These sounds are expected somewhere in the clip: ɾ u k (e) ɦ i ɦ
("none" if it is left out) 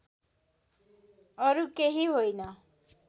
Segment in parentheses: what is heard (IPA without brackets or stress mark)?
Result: e